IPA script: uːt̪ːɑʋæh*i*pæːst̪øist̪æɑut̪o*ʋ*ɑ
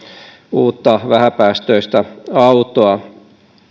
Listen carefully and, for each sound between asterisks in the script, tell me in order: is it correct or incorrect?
incorrect, incorrect

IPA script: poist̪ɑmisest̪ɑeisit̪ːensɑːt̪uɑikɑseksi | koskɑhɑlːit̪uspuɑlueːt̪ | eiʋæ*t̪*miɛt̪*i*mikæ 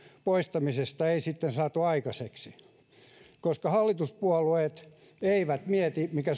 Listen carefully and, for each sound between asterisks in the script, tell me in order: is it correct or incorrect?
correct, correct

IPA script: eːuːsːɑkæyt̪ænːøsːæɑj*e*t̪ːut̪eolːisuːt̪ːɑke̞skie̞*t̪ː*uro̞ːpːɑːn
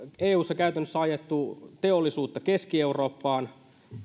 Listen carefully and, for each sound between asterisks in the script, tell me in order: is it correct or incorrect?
correct, incorrect

